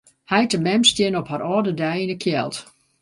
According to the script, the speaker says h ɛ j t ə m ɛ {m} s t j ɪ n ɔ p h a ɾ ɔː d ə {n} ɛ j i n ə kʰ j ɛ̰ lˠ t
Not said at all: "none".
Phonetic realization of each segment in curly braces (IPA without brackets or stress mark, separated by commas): m, d